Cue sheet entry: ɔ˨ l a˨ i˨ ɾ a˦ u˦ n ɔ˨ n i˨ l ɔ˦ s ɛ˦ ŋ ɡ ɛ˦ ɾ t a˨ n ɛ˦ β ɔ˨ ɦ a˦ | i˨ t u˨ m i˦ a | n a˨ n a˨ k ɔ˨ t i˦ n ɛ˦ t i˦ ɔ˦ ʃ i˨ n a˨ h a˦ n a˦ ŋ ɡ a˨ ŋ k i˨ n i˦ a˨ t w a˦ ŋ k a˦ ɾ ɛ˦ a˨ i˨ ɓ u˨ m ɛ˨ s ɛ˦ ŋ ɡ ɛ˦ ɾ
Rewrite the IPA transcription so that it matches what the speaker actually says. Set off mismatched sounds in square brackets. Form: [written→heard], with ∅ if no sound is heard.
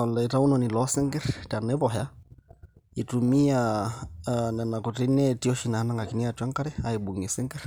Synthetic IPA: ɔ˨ l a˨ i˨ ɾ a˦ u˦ n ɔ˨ n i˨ l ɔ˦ s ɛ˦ ŋ ɡ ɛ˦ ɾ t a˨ n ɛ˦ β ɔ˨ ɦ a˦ | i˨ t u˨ m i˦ a | n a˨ n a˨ k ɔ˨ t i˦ n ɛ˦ t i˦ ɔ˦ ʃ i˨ n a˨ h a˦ n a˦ ŋ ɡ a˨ [ŋ→∅] k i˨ n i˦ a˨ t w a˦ ŋ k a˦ ɾ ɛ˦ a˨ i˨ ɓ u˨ [m→ŋ] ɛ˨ s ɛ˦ ŋ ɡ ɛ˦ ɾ